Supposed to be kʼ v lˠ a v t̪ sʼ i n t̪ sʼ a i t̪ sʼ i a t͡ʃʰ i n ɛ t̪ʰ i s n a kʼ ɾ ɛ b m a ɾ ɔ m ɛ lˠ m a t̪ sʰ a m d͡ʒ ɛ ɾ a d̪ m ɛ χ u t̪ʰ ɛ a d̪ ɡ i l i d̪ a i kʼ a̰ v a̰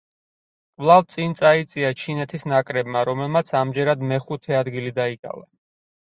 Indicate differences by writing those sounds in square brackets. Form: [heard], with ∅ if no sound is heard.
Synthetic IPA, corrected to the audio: kʼ v lˠ a v t̪ sʼ i n t̪ sʼ a i t̪ sʼ i a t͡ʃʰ i n ɛ t̪ʰ i s n a kʼ ɾ ɛ b m a ɾ ɔ m ɛ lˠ m a t̪ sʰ a m d͡ʒ ɛ ɾ a d̪ m ɛ χ u t̪ʰ ɛ a d̪ ɡ i l i d̪ a i kʼ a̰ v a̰